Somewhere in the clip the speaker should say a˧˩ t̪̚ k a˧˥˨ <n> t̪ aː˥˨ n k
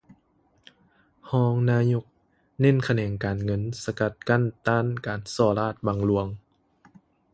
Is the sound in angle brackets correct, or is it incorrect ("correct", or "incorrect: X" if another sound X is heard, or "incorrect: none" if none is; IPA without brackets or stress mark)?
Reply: correct